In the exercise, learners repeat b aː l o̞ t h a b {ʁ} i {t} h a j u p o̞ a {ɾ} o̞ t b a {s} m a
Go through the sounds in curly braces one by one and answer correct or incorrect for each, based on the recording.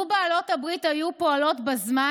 correct, correct, incorrect: l, incorrect: z

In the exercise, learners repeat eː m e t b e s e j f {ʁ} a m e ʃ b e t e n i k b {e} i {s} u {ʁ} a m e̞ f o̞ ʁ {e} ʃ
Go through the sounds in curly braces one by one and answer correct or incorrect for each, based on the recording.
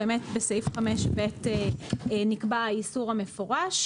incorrect: χ, incorrect: a, correct, correct, incorrect: a

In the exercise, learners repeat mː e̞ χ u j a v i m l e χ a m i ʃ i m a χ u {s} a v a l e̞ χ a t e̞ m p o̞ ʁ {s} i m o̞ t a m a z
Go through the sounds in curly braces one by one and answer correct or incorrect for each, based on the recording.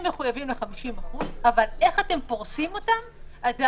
incorrect: z, correct

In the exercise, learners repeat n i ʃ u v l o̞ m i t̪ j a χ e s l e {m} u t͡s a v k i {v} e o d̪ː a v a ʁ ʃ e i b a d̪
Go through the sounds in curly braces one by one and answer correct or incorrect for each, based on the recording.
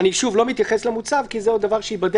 correct, incorrect: z

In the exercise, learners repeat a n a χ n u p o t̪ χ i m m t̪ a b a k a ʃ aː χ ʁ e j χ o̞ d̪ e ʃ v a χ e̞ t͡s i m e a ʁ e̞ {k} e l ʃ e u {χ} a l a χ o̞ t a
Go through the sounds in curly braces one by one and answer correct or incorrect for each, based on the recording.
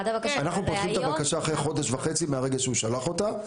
incorrect: ɡ, incorrect: ʃ

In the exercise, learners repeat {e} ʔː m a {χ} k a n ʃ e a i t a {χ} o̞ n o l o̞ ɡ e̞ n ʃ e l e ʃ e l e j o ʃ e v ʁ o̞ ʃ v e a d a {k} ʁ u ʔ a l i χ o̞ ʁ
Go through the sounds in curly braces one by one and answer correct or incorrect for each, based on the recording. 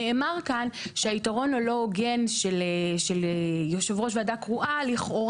correct, incorrect: ʁ, incorrect: ʁ, correct

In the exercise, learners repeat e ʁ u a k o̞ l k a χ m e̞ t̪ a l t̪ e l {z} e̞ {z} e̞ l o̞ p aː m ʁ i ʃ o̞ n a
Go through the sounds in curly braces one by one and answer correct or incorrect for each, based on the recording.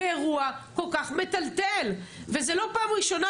incorrect: v, correct

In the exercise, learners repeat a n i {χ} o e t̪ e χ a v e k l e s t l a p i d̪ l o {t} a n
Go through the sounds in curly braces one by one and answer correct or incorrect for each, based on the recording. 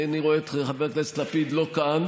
incorrect: ʁ, incorrect: k

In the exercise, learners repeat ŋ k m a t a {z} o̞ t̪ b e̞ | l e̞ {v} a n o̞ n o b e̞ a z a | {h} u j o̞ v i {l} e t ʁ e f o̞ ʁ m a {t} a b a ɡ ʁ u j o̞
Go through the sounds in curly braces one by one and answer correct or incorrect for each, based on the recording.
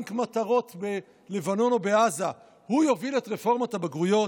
incorrect: ʁ, correct, correct, correct, correct

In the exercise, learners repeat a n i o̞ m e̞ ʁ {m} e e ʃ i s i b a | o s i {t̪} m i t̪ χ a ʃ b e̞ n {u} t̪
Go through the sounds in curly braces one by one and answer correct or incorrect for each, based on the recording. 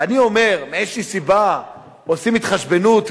correct, incorrect: none, correct

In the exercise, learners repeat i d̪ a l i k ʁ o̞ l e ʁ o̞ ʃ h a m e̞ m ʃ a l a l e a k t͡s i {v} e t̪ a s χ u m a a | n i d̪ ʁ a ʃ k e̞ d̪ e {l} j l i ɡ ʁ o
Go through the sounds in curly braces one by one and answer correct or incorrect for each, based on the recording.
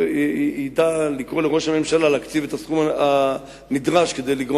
correct, incorrect: none

